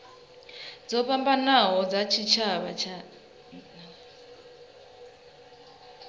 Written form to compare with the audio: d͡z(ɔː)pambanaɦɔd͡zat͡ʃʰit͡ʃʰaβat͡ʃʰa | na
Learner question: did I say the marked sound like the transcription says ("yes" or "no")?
no